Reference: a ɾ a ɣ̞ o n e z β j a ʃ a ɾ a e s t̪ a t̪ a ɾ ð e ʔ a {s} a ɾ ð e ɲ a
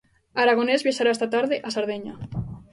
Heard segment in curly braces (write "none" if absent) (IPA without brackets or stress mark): s